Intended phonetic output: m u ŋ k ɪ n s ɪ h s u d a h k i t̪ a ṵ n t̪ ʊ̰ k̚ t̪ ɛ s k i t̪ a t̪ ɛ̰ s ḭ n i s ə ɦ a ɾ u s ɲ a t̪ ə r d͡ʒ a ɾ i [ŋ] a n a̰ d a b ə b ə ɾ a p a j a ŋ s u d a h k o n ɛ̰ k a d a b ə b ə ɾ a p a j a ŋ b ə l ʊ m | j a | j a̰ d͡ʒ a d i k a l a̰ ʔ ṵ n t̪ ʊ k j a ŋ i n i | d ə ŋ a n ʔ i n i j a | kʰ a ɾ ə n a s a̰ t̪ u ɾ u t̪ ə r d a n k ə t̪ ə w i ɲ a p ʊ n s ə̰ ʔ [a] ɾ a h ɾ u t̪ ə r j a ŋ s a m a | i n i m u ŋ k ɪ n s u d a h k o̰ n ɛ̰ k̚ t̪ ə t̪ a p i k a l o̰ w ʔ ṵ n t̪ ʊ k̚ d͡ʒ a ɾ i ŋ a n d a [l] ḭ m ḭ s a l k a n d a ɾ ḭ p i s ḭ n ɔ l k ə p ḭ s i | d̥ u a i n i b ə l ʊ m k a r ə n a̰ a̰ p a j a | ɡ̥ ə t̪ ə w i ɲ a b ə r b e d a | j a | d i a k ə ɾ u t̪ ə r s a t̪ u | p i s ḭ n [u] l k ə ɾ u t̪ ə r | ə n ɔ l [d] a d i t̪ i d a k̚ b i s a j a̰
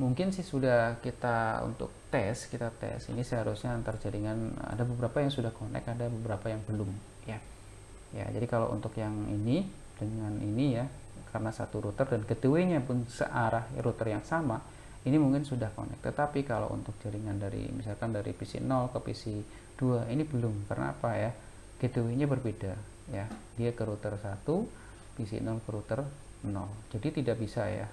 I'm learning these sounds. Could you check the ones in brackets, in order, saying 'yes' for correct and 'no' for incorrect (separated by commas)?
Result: yes, yes, no, no, no